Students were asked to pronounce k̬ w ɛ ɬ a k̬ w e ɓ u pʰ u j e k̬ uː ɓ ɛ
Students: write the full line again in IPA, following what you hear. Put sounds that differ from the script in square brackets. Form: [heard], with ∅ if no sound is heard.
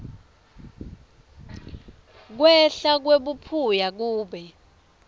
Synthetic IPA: k̬ w ɛ ɬ a k̬ w e ɓ u pʰ u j [a] k̬ uː ɓ ɛ